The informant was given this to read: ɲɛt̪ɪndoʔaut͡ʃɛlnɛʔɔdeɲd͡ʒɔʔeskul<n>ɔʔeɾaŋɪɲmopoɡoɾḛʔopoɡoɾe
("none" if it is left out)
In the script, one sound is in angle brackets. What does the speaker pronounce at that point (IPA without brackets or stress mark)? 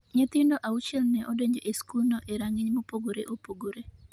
n